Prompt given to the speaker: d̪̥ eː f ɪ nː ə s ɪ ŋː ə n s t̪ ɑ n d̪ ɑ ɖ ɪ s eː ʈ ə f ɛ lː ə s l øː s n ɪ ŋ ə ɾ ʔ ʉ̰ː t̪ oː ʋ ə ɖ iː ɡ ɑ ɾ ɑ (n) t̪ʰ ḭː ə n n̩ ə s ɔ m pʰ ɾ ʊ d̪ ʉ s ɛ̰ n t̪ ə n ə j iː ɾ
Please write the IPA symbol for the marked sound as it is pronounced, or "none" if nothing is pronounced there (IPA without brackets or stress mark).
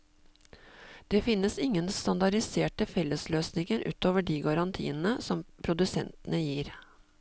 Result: n